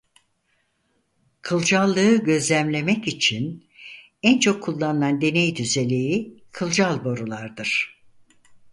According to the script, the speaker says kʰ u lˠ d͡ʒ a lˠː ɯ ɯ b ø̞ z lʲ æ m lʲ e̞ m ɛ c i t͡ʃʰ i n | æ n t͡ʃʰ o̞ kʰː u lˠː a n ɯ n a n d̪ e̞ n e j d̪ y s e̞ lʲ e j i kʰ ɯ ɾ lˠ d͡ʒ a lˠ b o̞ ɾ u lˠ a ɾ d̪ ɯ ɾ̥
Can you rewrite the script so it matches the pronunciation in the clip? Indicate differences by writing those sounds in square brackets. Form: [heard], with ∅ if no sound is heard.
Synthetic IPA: kʰ [ɯ] lˠ d͡ʒ a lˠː ɯ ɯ [ɟ] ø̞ z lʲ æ m lʲ e̞ m ɛ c i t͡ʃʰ i n | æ n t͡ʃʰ o̞ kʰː u lˠː a n ɯ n a n d̪ e̞ n e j d̪ y [z] e̞ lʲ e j i kʰ ɯ [∅] lˠ d͡ʒ a lˠ b o̞ ɾ u lˠ a ɾ d̪ ɯ ɾ̥

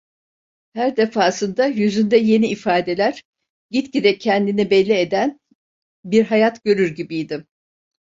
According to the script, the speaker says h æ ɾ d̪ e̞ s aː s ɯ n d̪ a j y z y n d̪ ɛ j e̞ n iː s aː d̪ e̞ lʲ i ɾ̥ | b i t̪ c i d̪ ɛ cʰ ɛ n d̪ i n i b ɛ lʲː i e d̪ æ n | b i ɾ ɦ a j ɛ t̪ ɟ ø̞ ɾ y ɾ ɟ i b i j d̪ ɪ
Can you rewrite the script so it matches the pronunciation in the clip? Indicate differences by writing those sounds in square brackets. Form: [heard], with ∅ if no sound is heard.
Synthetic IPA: h æ ɾ d̪ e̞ [f] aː s ɯ n d̪ a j y z y n d̪ ɛ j e̞ n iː [f] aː d̪ e̞ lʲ [æ] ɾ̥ | [ɟ] i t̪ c i d̪ ɛ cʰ ɛ n d̪ i n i b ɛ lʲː i e d̪ æ n | b i ɾ ɦ a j [a] t̪ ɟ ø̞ ɾ y ɾ ɟ i b i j d̪ ɪ

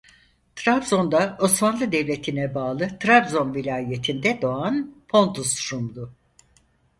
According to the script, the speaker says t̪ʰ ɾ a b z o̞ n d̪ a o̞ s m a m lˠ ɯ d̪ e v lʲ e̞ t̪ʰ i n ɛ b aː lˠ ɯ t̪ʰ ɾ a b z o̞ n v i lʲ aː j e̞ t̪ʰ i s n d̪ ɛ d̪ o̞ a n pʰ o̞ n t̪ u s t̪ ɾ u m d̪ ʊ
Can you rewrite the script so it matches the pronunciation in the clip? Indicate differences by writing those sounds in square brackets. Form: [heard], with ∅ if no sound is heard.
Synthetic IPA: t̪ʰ ɾ a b z o̞ n d̪ a o̞ s m a [n] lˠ ɯ d̪ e v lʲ e̞ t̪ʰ i n ɛ b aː lˠ ɯ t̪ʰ ɾ a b z o̞ n v i lʲ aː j e̞ t̪ʰ i [∅] n d̪ ɛ d̪ o̞ a n pʰ o̞ n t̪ u s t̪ ɾ u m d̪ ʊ

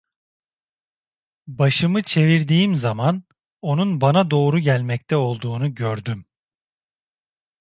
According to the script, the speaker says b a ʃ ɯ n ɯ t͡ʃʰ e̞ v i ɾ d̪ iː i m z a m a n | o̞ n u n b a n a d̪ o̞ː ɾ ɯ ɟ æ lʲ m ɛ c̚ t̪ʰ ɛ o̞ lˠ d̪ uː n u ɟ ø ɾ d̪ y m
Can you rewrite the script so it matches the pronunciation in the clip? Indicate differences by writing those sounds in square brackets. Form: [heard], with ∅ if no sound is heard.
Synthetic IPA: b a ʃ ɯ [m] ɯ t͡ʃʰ e̞ v i ɾ d̪ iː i m z a m a n | o̞ n u n b a n a d̪ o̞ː ɾ [u] ɟ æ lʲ m ɛ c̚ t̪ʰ ɛ o̞ lˠ d̪ uː n u ɟ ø ɾ d̪ y m

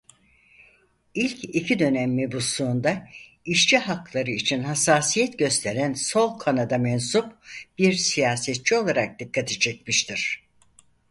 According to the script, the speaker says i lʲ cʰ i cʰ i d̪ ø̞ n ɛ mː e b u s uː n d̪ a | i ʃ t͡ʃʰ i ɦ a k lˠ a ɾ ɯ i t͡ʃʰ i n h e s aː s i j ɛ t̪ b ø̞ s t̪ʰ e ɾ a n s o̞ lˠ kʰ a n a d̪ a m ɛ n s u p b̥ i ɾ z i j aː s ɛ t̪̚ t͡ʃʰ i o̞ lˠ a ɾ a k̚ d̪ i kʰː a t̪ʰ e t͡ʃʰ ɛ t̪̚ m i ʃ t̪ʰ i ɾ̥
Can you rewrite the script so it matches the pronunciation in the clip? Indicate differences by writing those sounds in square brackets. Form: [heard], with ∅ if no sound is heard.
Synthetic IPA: i lʲ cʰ i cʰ i d̪ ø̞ n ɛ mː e b u s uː n d̪ a | i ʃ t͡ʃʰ i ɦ a k lˠ a ɾ ɯ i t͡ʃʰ i n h [a] s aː s i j ɛ t̪ [ɟ] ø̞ s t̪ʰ e ɾ [æ] n s o̞ lˠ kʰ a n a d̪ a m ɛ n s u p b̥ i ɾ [s] i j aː s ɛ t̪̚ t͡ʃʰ i o̞ lˠ a ɾ a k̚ d̪ i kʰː a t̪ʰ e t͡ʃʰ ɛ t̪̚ m i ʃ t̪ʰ i ɾ̥

